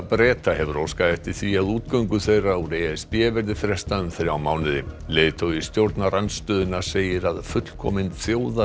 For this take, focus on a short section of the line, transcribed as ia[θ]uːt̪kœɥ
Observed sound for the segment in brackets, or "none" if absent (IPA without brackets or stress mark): ð